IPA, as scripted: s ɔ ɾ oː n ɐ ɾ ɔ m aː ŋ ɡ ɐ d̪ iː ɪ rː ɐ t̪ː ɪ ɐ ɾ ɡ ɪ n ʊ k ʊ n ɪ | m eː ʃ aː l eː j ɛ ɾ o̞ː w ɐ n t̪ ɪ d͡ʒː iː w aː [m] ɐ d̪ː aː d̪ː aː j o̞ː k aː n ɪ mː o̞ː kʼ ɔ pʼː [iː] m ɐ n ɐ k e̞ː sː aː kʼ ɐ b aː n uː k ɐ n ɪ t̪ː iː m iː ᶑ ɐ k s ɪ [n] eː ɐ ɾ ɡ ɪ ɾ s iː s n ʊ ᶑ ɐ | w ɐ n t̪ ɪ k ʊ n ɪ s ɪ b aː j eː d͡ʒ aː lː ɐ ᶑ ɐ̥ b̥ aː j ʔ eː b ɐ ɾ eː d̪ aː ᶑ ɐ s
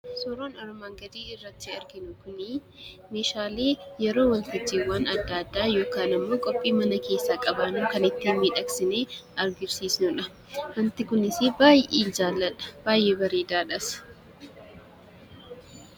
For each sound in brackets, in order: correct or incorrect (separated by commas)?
incorrect, correct, correct